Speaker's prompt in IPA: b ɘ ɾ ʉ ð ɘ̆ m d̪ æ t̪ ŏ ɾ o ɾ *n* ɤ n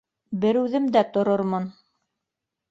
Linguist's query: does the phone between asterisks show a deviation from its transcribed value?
yes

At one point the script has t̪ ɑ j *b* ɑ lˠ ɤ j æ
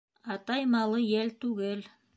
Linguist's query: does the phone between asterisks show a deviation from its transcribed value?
yes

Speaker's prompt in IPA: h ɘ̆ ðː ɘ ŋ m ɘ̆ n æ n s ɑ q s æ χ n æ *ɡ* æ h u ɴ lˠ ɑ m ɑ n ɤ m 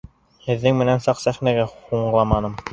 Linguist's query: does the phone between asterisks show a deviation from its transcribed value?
no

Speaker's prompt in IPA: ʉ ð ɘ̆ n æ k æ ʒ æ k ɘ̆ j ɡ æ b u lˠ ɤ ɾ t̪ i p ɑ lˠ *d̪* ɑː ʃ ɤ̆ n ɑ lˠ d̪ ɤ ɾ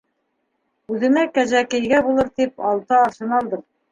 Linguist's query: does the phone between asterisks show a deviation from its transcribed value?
yes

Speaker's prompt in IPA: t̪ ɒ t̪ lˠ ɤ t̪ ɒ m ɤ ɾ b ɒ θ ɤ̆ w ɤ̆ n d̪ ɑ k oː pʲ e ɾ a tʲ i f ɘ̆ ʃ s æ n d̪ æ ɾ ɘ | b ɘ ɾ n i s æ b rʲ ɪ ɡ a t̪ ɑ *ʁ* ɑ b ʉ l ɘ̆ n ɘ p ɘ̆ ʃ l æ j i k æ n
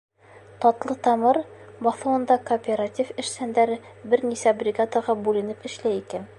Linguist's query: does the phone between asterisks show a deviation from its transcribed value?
no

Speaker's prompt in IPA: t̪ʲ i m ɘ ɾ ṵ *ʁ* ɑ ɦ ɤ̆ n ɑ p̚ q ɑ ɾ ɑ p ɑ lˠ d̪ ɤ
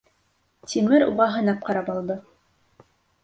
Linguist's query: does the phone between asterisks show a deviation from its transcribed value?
no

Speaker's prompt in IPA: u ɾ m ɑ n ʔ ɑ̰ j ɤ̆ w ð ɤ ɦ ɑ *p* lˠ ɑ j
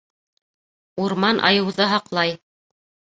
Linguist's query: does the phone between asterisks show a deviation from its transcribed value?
yes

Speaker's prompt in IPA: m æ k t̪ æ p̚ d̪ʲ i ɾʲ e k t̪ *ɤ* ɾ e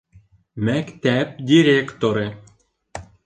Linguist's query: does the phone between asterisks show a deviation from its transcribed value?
yes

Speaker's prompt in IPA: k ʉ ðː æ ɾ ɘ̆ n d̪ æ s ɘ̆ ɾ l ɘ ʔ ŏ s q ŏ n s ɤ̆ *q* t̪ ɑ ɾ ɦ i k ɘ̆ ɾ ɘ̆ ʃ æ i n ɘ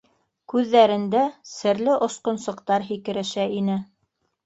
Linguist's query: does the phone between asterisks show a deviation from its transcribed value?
no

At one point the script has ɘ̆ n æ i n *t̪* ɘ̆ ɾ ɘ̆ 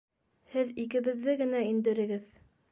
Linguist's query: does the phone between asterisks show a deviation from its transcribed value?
yes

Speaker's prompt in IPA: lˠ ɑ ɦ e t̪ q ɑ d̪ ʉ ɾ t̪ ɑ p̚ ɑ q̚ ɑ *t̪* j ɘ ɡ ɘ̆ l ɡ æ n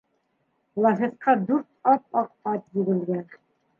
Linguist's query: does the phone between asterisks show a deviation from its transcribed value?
no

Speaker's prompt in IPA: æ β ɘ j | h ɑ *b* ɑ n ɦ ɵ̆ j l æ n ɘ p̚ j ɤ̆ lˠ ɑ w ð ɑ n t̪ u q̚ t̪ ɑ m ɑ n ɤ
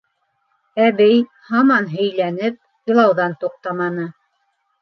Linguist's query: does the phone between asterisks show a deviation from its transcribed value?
yes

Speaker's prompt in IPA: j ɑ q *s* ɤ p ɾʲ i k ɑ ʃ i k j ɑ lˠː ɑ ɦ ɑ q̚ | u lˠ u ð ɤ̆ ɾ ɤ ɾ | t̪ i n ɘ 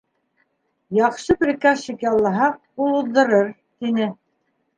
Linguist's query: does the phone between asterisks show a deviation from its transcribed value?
yes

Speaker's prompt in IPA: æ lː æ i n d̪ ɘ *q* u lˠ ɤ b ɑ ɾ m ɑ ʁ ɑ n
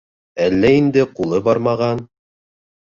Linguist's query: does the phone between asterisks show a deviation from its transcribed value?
no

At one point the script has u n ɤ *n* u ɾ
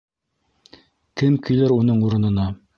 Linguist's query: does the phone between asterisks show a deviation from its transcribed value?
yes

